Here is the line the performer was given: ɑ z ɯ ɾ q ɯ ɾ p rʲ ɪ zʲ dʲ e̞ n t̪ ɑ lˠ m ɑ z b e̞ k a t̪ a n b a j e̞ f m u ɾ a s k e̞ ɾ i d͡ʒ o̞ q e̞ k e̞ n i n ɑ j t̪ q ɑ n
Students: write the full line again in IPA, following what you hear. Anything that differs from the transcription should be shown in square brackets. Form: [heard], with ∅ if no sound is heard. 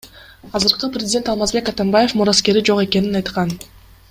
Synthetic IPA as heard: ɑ z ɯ ɾ q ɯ [∅] p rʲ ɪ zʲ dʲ e̞ n t̪ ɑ lˠ m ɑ z b e̞ k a t̪ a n b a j e̞ f m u ɾ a s k e̞ ɾ i d͡ʒ o̞ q e̞ k e̞ n i n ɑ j t̪ q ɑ n